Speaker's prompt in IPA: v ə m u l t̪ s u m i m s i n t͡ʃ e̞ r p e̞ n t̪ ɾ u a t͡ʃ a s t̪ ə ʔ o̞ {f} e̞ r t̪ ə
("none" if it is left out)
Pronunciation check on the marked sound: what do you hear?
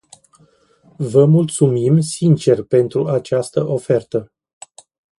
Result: f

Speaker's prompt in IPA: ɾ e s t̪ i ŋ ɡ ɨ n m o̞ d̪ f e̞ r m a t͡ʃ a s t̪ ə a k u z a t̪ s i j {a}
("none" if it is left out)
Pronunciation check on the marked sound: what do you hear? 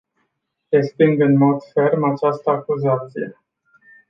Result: e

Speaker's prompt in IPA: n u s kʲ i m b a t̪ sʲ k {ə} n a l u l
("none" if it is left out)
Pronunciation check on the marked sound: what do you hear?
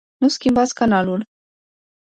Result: a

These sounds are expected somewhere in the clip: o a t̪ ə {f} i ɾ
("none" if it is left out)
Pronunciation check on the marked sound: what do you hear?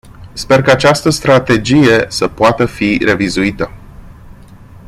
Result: f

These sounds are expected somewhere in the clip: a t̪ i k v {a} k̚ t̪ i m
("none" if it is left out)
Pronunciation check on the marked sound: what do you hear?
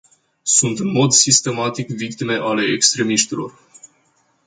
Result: i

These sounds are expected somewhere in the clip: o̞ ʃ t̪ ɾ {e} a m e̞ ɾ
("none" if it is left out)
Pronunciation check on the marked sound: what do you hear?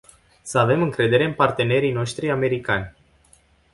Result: i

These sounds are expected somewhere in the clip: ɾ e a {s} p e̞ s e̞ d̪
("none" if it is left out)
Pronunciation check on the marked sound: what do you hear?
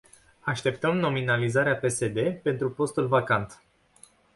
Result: none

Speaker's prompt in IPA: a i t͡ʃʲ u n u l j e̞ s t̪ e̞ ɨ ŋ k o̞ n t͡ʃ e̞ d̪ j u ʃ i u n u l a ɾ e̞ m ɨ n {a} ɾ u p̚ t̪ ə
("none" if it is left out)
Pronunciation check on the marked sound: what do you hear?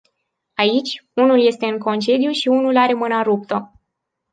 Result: a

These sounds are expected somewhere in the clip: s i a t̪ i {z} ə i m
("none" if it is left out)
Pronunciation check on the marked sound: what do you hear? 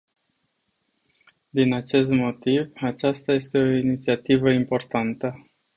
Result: v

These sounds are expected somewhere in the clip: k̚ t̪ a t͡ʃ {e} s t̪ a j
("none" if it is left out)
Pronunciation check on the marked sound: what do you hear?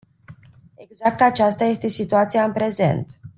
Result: a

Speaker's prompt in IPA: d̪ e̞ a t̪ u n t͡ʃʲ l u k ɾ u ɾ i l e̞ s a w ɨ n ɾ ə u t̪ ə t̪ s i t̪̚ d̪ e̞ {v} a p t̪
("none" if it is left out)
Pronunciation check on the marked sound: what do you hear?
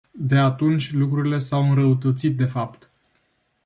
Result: f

